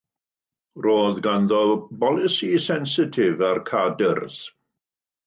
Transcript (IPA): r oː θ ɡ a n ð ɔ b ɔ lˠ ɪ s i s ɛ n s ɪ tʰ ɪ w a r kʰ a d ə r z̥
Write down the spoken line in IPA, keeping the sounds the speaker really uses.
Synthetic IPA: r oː ð ɡ a n ð ɔ b ɔ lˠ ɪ s i s ɛ n s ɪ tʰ ɪ v a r kʰ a d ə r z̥